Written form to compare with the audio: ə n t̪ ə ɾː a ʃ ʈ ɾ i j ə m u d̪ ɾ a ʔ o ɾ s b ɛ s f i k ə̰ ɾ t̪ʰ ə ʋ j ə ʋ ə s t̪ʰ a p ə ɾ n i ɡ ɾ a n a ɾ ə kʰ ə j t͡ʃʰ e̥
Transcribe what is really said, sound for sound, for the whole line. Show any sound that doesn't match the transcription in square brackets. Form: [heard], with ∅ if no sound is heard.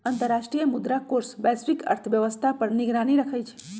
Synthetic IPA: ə n t̪ ə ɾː a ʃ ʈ ɾ i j ə m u d̪ ɾ a [k] o ɾ s b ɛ s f i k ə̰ ɾ t̪ʰ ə ʋ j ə ʋ ə s t̪ʰ a p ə ɾ n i ɡ ɾ a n [i] ɾ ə kʰ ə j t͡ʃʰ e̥